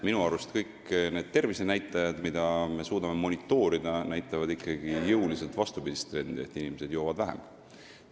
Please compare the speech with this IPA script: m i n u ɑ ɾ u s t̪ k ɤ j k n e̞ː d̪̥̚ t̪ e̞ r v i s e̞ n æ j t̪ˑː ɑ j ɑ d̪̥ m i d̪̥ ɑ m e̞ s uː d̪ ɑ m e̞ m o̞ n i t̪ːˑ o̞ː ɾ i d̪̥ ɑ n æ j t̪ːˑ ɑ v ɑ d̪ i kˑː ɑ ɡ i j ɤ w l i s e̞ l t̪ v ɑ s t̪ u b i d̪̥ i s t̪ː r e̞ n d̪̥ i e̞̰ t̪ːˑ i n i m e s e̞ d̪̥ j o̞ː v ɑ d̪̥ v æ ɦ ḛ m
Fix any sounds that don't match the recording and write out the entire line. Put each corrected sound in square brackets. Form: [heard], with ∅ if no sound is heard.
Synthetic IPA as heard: m i n u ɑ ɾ u s t̪ k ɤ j k n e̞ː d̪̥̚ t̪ e̞ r v i s e̞ n æ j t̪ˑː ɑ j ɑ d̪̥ m i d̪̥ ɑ m e̞ s uː d̪ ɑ m e̞ m o̞ n i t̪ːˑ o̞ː ɾ i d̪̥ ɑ n æ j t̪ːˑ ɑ v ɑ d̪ i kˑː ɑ ɡ i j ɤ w l i s e̞ l t̪ v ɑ s t̪ u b i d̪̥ i s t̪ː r e̞ n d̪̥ i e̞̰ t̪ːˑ i n i m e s e̞ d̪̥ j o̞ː v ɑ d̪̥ v æ ɦ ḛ m